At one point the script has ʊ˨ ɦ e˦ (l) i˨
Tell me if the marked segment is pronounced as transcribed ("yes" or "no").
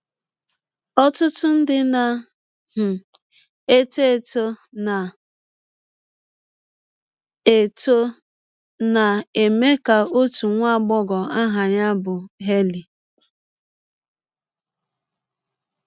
yes